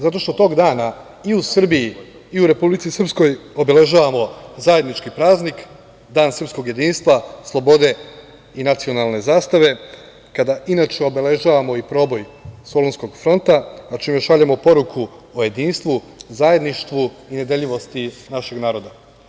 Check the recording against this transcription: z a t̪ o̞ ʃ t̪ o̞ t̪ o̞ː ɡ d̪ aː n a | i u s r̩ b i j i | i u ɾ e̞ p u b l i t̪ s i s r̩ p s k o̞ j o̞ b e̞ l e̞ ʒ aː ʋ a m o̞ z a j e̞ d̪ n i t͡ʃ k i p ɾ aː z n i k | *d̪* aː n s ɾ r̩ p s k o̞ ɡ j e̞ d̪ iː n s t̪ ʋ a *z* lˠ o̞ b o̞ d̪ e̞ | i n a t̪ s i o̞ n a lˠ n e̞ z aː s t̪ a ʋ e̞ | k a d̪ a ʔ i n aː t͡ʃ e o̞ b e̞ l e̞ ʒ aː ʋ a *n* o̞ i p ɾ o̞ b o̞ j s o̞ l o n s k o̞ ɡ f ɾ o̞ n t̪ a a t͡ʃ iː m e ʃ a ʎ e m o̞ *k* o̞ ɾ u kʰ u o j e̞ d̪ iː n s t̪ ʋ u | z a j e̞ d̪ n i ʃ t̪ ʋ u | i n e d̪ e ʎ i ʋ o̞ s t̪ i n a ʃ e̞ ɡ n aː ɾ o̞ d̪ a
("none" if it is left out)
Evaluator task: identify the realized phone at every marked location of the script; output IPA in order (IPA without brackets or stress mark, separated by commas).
d̪, s, m, p